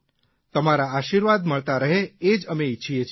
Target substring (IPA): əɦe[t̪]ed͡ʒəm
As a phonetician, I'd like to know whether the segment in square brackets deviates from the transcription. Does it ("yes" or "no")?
yes